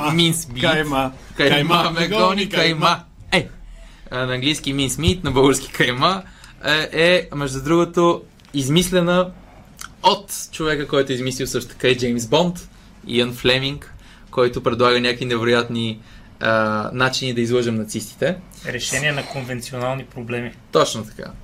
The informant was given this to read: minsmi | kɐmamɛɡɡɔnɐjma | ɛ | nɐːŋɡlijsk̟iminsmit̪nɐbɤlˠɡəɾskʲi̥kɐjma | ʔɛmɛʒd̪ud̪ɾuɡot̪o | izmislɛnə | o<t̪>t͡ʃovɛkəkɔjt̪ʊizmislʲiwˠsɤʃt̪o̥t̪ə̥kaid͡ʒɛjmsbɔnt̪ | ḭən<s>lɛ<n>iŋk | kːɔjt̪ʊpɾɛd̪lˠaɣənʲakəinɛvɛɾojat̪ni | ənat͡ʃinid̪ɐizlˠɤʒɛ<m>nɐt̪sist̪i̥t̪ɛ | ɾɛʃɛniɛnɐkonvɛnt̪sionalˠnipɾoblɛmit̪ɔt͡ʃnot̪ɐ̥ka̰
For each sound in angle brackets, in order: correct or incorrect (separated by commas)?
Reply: correct, incorrect, incorrect, correct